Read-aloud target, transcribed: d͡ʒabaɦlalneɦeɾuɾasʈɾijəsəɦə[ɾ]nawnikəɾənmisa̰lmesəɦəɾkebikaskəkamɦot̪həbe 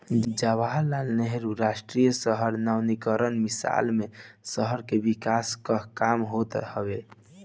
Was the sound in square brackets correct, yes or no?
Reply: yes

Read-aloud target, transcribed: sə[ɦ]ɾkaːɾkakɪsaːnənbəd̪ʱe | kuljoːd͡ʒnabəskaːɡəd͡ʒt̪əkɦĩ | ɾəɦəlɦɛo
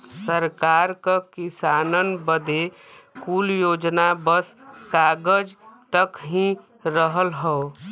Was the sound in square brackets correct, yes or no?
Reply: no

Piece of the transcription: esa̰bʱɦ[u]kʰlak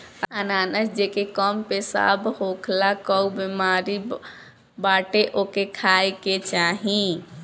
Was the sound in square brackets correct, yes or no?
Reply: no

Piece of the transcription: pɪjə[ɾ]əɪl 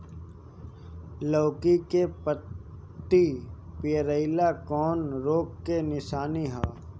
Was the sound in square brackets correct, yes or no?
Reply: yes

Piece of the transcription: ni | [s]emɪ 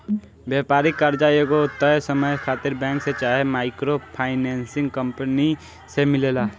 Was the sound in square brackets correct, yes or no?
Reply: yes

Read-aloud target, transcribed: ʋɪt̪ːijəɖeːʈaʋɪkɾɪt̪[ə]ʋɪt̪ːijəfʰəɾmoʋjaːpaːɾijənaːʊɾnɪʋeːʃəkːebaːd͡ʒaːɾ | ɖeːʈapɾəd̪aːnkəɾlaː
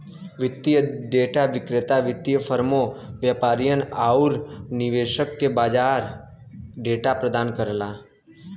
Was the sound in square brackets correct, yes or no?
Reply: no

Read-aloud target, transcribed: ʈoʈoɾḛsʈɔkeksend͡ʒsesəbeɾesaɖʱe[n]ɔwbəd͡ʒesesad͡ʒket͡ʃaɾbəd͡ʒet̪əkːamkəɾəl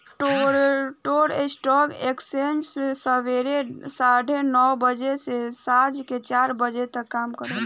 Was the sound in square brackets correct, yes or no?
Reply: yes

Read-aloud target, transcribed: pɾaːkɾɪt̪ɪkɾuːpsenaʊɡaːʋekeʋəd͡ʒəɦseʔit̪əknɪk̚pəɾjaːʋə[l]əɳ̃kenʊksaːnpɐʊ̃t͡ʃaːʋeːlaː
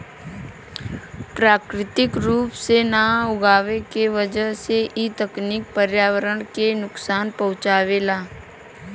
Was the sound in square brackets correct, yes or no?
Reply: no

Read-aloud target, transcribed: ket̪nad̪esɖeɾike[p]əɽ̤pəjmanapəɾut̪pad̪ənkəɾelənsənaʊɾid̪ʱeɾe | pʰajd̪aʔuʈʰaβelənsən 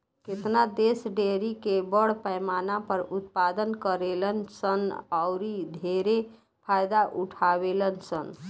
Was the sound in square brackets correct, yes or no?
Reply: no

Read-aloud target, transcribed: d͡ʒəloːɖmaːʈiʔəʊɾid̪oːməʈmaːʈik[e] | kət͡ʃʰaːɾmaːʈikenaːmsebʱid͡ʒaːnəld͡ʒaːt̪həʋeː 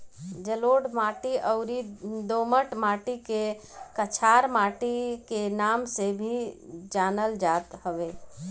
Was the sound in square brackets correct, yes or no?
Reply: yes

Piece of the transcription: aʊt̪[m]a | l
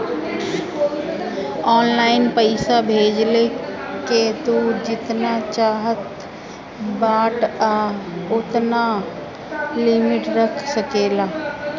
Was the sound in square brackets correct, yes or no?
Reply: no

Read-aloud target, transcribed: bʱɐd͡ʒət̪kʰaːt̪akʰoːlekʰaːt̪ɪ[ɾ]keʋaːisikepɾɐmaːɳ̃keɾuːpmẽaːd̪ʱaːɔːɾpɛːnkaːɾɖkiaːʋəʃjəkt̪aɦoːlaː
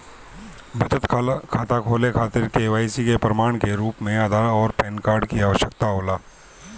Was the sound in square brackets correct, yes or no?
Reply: yes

